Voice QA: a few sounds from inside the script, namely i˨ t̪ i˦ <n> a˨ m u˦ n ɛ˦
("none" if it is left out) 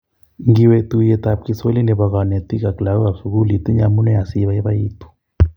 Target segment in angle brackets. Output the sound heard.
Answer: ɲ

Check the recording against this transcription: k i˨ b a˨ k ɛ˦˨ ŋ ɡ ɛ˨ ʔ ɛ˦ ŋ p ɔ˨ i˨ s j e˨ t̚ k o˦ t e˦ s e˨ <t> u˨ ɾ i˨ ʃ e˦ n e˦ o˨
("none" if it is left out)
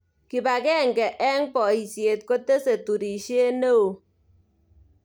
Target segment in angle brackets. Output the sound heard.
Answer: t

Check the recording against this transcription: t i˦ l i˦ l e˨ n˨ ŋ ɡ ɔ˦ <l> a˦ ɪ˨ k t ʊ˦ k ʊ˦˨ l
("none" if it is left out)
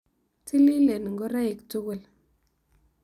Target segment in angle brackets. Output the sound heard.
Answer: ɾ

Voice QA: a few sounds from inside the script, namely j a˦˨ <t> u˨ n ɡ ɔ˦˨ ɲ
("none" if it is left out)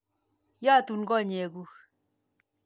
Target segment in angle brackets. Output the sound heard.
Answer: t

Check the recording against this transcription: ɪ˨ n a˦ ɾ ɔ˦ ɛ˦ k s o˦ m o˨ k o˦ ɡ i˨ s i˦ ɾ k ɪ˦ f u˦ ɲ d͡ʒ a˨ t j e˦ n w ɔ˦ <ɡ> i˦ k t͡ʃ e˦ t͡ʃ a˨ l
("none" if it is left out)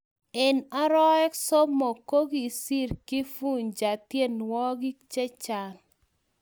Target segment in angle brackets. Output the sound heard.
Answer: ɡ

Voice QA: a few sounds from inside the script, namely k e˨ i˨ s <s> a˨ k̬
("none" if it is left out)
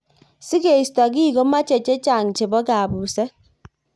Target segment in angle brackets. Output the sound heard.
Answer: t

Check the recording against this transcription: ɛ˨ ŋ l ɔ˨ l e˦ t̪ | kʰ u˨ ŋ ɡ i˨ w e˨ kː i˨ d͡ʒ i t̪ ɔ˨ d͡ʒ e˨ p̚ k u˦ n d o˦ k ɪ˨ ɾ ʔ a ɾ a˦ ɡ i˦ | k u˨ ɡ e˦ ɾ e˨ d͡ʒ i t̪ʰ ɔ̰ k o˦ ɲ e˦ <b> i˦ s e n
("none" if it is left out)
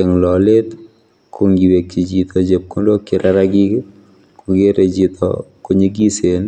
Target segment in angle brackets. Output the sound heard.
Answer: ɡ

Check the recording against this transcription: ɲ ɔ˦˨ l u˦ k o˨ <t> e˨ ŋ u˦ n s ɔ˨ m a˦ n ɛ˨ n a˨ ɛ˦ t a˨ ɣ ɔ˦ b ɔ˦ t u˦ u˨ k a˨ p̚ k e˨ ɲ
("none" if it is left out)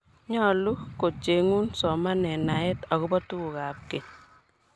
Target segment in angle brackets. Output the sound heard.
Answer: t͡ʃ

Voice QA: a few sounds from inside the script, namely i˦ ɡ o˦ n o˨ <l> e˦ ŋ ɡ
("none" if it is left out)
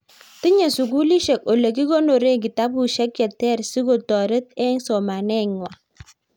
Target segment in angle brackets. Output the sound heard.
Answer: ɾ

